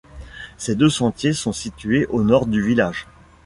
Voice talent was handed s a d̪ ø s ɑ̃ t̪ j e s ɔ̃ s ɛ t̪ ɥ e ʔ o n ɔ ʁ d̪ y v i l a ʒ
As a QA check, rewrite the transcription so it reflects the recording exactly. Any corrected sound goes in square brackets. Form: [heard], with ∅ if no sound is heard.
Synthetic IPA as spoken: s [e] d̪ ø s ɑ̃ t̪ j e s ɔ̃ s [i] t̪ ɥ e ʔ o n ɔ ʁ d̪ y v i l a ʒ